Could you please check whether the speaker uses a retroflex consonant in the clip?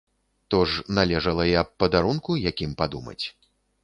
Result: yes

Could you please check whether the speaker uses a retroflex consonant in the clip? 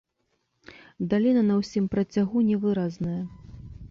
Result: no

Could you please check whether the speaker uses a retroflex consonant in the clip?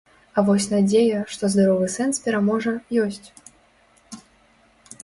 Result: yes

